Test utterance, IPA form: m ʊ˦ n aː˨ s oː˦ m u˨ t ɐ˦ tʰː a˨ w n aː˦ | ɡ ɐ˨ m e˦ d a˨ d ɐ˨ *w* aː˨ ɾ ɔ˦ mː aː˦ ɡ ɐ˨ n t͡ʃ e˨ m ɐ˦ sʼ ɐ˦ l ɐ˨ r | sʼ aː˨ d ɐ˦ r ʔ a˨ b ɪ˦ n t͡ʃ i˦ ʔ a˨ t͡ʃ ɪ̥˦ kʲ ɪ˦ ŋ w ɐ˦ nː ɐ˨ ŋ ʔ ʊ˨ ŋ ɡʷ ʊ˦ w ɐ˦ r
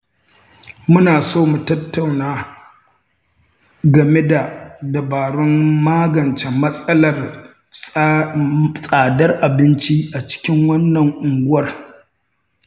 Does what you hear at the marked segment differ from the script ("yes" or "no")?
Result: yes